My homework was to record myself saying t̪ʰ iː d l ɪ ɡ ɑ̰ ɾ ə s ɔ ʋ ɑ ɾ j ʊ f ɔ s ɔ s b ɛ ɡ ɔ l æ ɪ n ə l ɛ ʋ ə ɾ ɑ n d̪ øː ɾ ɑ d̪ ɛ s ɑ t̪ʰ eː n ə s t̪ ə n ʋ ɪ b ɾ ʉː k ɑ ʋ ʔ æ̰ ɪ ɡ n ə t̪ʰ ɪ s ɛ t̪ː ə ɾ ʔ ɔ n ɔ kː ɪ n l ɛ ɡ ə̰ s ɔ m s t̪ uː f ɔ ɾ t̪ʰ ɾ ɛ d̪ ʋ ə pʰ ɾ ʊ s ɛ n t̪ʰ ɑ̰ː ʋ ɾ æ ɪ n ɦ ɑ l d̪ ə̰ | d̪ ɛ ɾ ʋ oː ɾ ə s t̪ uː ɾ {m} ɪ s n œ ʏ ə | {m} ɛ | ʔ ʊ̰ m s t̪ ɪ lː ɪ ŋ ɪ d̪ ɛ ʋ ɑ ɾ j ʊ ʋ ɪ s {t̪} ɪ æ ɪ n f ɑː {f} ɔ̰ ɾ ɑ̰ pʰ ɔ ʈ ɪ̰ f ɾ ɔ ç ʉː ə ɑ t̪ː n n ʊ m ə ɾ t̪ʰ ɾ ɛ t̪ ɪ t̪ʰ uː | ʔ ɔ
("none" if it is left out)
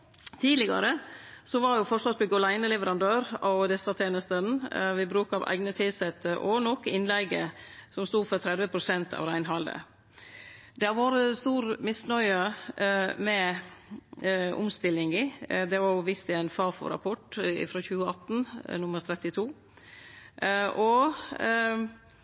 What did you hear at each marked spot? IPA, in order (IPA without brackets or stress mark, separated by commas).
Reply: m, m, t̪, f